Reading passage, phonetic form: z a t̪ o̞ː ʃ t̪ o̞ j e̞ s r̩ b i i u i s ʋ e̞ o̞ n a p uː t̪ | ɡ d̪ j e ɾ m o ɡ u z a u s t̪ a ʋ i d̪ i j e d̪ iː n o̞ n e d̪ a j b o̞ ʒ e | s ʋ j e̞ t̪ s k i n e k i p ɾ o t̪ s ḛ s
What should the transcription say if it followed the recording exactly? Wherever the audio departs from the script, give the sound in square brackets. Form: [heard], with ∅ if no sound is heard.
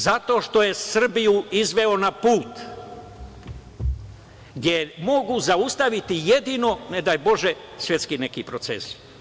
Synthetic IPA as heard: z a t̪ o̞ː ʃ t̪ o̞ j e̞ s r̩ b i [j] u i [z] ʋ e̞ o̞ n a p uː t̪ | ɡ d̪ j e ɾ m o ɡ u z a u s t̪ a ʋ i [t̪] i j e d̪ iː n o̞ n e d̪ a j b o̞ ʒ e | s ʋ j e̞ t̪ s k i n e k i p ɾ o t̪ s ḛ s

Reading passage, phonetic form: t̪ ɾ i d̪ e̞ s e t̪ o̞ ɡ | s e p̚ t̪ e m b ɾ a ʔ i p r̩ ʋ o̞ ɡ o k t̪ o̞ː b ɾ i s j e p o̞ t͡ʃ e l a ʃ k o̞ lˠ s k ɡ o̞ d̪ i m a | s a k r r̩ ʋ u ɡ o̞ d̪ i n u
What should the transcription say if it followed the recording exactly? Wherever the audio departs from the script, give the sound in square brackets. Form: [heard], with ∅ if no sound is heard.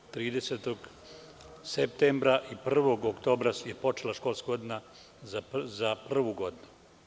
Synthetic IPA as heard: t̪ ɾ [iː] d̪ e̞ s e t̪ o̞ ɡ | s e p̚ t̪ e m b ɾ a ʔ i p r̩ ʋ o̞ ɡ o k t̪ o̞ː b ɾ [a] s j e p o̞ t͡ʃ e l a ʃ k o̞ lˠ s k ɡ o̞ d̪ i [n] a | [z] a [p] r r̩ ʋ u ɡ o̞ d̪ i n u

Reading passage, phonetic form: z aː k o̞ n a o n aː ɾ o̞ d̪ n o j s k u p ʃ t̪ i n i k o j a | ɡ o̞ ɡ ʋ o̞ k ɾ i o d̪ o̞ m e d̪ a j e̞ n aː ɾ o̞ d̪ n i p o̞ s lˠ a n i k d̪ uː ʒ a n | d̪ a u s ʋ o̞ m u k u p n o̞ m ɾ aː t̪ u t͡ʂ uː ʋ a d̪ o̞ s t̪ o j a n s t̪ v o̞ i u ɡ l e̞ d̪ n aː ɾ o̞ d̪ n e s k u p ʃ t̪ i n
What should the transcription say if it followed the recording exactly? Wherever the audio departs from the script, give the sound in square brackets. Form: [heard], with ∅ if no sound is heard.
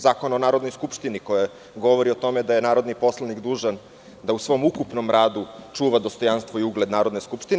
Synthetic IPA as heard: z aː k o̞ n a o n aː ɾ o̞ d̪ n o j s k u p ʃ t̪ i n i k o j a | ɡ o̞ [∅] ʋ o̞ [∅] ɾ i o [t̪] o̞ m e d̪ a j e̞ n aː ɾ o̞ d̪ n i p o̞ s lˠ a n i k d̪ uː ʒ a n | d̪ a u s ʋ o̞ m u k u p n o̞ m ɾ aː [d̪] u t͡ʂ uː ʋ a d̪ o̞ s t̪ o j a n s t̪ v o̞ i u ɡ l e̞ d̪ n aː ɾ o̞ d̪ n e s k u p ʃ t̪ i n

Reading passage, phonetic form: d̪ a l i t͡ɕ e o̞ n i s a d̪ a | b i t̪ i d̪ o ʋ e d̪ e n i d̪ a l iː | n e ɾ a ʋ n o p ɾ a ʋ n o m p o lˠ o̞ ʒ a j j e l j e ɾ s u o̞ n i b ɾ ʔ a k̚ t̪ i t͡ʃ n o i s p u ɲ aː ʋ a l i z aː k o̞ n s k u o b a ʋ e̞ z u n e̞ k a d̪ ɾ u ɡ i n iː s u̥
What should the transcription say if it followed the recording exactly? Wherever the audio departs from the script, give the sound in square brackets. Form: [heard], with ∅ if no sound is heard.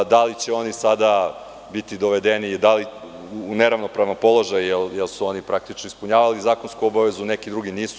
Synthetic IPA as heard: d̪ a l i t͡ɕ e o̞ n i s a d̪ a | b i t̪ i d̪ o ʋ e d̪ e n i d̪ a l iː | n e ɾ a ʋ n o p ɾ a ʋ n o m p o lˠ o̞ ʒ a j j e l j e [l] s u o̞ n i [p] ɾ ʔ a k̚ t̪ i t͡ʃ n o i s p u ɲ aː ʋ a l i z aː k o̞ n s k u o b a ʋ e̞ z u n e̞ k [i] d̪ ɾ u ɡ i n iː s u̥

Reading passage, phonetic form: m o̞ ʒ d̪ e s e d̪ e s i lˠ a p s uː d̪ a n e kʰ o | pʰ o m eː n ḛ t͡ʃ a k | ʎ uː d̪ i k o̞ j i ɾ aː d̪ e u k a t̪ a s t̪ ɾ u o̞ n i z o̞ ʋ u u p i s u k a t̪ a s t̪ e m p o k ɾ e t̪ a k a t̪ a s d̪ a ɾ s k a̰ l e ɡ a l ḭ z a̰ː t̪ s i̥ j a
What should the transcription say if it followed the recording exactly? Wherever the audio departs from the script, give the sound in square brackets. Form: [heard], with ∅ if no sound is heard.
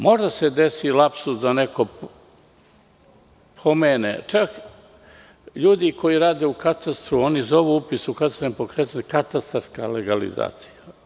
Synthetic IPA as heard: m o̞ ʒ d̪ [a] s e d̪ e s i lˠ a p s [u] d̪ a n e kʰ o | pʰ o m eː n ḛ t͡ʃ a k | ʎ uː d̪ i k o̞ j i ɾ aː d̪ e u k a t̪ a s t̪ ɾ u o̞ n i z o̞ ʋ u u p i s u k a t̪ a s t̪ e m p o k ɾ e t̪ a k a t̪ a s [t̪] a ɾ s k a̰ l e ɡ a l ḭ z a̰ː t̪ s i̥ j a

